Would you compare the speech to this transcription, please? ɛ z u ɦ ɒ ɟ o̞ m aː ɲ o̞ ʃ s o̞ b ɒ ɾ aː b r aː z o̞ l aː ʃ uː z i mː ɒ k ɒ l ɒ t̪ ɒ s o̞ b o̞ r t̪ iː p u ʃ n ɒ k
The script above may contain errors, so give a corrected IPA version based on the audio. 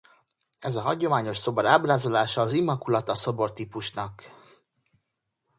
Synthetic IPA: ɛ z ɒ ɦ ɒ ɟ o̞ m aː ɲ o̞ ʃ s o̞ b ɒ ɾ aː b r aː z o̞ l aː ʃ ɒː z i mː ɒ k u l ɒ t̪ ɒ s o̞ b o̞ r t̪ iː p u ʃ n ɒ k

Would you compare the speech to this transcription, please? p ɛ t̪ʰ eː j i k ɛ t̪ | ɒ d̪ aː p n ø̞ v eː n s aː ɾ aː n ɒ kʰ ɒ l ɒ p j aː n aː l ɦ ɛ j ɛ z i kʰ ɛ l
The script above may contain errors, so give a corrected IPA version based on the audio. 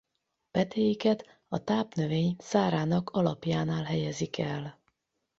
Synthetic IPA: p ɛ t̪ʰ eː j i k ɛ t̪ | ɒ t̪ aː p n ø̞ v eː ɲ s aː ɾ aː n ɒ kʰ ɒ l ɒ p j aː n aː l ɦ ɛ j ɛ z i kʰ ɛ l

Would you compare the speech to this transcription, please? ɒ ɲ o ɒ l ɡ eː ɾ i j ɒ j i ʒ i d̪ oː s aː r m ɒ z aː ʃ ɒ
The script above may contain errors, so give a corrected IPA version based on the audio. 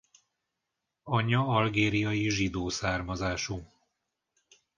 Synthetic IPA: ɒ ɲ ɒ ɒ l ɡ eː ɾ i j ɒ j i ʒ i d̪ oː s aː r m ɒ z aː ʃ u

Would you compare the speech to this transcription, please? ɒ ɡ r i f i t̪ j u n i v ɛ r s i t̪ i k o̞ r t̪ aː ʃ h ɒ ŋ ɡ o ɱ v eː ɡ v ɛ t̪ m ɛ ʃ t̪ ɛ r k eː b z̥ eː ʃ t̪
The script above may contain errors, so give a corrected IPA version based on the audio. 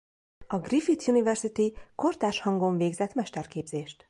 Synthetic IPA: ɒ ɡ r i f i t̪ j u n i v ɛ r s i t̪ i k o̞ r t̪ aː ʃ h ɒ ŋ ɡ o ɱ v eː ɡ z ɛ t̪ m ɛ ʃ t̪ ɛ r k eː b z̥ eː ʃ t̪

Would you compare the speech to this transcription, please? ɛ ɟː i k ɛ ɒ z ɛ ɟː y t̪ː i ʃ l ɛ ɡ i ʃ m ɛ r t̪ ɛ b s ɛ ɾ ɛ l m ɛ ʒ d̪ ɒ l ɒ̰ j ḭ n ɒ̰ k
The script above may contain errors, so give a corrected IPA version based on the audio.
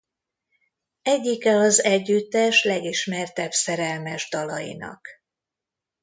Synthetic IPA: ɛ ɟː i k ɛ ɒ z ɛ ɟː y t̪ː ɛ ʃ l ɛ ɡ i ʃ m ɛ r t̪ ɛ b s ɛ ɾ ɛ l m ɛ ʒ d̪ ɒ l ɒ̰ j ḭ n ɒ̰ k

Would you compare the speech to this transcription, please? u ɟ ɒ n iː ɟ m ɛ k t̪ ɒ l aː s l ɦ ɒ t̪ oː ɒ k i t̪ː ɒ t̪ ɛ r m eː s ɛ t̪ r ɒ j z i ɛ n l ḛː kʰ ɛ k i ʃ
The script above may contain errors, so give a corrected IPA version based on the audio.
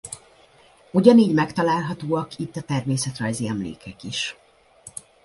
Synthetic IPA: u ɟ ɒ n iː ɟ m ɛ k t̪ ɒ l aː l ɦ ɒ t̪ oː ɒ k i t̪ː ɒ t̪ ɛ r m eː s ɛ t̪ r ɒ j z i ɛ m l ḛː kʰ ɛ k i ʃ

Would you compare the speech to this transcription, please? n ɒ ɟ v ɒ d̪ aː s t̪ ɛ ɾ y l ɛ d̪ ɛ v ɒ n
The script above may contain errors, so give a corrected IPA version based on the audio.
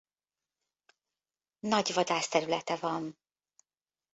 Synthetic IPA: n ɒ ɟ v ɒ d̪ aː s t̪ ɛ ɾ y l ɛ t̪ ɛ v ɒ n

